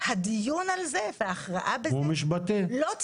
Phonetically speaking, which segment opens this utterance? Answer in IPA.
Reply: h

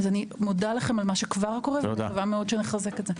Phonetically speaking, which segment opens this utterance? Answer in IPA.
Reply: z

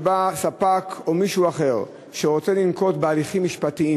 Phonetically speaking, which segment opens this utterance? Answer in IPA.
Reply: b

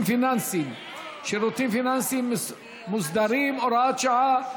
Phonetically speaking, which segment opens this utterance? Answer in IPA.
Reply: f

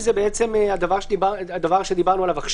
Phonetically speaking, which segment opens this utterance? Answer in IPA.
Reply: z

